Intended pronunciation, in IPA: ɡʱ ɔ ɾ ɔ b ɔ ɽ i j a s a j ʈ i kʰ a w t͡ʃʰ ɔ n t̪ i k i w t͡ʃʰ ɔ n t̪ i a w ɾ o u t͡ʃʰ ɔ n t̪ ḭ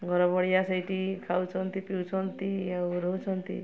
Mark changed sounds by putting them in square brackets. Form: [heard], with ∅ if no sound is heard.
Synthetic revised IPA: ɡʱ ɔ ɾ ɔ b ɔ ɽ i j a s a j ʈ i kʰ a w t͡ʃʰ ɔ n t̪ i [p] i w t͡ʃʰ ɔ n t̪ i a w ɾ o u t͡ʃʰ ɔ n t̪ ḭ